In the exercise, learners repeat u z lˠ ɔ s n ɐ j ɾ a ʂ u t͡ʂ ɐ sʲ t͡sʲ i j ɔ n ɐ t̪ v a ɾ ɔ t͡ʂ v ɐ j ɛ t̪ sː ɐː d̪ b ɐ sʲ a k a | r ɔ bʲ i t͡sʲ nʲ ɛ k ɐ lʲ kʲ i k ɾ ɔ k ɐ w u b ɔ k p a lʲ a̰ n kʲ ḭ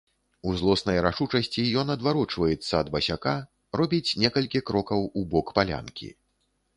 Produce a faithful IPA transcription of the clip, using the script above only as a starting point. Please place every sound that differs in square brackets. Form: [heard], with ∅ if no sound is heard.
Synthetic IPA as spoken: u z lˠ ɔ s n ɐ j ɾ a ʂ u t͡ʂ ɐ sʲ t͡sʲ i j ɔ n ɐ [d̪] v a ɾ ɔ t͡ʂ v ɐ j ɛ t̪ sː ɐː d̪ b ɐ sʲ a k a | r ɔ bʲ i t͡sʲ nʲ ɛ k ɐ lʲ kʲ i k ɾ ɔ k ɐ w u b ɔ k p a lʲ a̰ n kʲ ḭ